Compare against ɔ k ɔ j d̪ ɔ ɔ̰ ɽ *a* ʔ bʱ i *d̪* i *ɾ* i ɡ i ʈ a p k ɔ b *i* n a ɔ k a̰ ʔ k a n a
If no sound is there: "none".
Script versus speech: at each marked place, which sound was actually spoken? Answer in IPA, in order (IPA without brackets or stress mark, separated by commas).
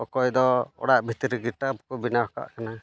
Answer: a, t̪, ɾ, i